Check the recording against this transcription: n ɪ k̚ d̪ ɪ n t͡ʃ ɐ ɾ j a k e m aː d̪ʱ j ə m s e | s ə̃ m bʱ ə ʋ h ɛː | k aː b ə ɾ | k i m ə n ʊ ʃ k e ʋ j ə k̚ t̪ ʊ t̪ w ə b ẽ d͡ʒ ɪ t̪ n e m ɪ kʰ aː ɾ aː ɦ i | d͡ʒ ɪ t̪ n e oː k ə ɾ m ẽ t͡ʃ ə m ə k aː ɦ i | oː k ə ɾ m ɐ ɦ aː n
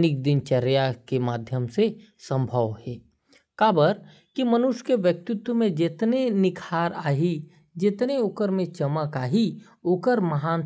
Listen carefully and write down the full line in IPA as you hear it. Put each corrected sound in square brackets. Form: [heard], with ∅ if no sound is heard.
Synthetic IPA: n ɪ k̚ d̪ ɪ n t͡ʃ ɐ ɾ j a k e m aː d̪ʱ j ə m s e | s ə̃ m bʱ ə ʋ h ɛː | k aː b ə ɾ | k i m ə n ʊ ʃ k e ʋ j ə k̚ t̪ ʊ t̪ w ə [m] ẽ d͡ʒ ɪ t̪ n e [n] ɪ kʰ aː ɾ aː ɦ i | d͡ʒ ɪ t̪ n e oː k ə ɾ m ẽ t͡ʃ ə m ə k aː ɦ i | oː k ə ɾ m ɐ ɦ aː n

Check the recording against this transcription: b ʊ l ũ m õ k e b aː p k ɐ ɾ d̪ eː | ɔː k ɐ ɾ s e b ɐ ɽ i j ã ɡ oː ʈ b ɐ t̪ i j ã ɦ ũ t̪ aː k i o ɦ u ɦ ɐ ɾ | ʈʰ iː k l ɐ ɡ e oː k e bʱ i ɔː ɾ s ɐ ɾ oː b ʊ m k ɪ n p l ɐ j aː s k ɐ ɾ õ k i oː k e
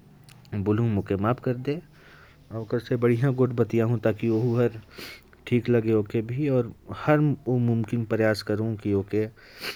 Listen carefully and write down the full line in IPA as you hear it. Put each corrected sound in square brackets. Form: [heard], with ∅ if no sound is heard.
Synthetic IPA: b ʊ l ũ m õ k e [m] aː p k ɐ ɾ d̪ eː | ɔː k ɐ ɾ s e b ɐ ɽ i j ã ɡ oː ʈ b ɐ t̪ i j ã ɦ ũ t̪ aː k i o ɦ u ɦ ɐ ɾ | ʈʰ iː k l ɐ ɡ e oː k e bʱ i ɔː ɾ [h] ɐ ɾ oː [m] ʊ m k ɪ n p [ɾ] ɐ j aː s k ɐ ɾ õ k i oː k e

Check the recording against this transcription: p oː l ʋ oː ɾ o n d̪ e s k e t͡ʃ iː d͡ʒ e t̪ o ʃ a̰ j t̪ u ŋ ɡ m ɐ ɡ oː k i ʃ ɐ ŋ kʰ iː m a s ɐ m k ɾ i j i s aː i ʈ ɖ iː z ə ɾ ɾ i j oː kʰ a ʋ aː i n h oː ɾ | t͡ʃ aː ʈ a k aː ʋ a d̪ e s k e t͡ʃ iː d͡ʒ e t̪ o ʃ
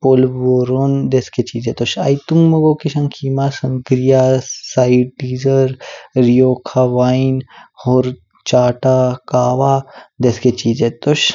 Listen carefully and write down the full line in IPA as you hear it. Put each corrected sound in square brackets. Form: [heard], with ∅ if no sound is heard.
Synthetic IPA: p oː l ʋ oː ɾ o n d̪ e s k e t͡ʃ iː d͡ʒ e t̪ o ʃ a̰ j t̪ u ŋ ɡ m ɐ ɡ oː k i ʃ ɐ ŋ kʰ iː m a s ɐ [ŋ] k ɾ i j [a] s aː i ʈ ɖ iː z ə ɾ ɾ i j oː kʰ a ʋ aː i n h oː ɾ | t͡ʃ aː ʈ a k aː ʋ a d̪ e s k e t͡ʃ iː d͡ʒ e t̪ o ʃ

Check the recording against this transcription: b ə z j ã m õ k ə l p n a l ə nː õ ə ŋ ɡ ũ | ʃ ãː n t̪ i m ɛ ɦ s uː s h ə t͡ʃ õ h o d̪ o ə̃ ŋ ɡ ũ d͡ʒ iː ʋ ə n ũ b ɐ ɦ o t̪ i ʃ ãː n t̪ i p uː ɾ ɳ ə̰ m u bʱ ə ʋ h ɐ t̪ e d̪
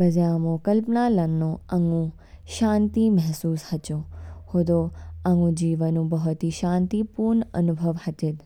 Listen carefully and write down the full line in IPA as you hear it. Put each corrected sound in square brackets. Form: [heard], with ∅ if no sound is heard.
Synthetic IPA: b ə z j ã m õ k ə l p n a l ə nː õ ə ŋ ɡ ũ | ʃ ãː n t̪ i m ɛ ɦ s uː s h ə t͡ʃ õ h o d̪ o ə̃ ŋ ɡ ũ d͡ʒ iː ʋ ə n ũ b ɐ ɦ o t̪ i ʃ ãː n t̪ i p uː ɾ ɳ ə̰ [n] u bʱ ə ʋ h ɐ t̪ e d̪

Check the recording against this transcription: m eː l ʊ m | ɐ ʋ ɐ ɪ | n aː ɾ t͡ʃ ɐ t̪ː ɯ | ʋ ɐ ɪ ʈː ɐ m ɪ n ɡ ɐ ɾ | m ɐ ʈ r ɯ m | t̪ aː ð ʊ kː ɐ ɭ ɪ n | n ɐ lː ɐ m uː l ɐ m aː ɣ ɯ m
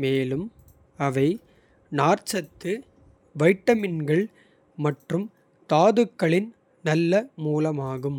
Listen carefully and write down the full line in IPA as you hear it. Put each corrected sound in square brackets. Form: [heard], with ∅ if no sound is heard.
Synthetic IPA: m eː l [ɯ] m | ɐ ʋ ɐ ɪ | n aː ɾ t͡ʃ ɐ t̪ː ɯ | ʋ ɐ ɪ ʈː ɐ m ɪ n ɡ ɐ [ɭ] | m ɐ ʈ r ɯ m | t̪ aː ð [ɯ] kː ɐ ɭ ɪ n | n ɐ lː ɐ m uː l ɐ m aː ɣ ɯ m

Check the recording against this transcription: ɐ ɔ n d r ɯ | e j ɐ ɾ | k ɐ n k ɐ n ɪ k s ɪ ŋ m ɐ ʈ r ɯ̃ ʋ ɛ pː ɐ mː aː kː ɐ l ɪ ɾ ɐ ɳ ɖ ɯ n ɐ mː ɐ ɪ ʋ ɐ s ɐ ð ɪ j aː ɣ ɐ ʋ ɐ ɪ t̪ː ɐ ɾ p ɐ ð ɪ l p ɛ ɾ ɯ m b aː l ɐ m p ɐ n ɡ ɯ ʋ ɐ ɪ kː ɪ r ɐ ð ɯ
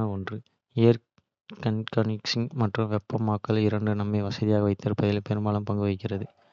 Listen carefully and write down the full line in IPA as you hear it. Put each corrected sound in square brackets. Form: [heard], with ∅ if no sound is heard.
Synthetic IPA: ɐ ɔ n d r ɯ | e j ɐ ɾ | k ɐ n k ɐ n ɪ k s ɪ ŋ m ɐ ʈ r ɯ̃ ʋ ɛ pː ɐ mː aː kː ɐ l ɪ ɾ ɐ ɳ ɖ ɯ n ɐ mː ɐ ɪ ʋ ɐ s ɐ ð ɪ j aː ɣ ɐ ʋ ɐ ɪ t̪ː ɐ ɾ p ɐ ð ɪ l p ɛ ɾ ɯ m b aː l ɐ m p ɐ [ŋ] ɡ ɯ ʋ ɐ ɪ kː ɪ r ɐ ð ɯ

